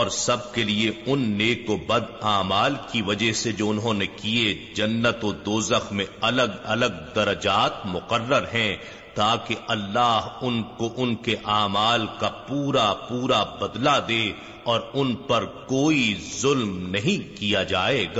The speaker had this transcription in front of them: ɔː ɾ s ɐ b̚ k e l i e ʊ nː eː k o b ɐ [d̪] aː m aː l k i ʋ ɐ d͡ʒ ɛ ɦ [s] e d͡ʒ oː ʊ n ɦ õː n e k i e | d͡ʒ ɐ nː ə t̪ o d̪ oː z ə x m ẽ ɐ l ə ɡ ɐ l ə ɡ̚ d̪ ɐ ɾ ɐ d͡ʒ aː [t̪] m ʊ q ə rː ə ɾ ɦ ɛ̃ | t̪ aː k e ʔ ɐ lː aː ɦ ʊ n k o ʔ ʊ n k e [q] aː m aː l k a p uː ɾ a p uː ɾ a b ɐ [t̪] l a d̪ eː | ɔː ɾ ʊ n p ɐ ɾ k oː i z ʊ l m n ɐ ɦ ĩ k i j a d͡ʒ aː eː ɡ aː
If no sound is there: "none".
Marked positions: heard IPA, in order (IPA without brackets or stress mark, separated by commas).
d̪, s, t̪, ʔ, d̪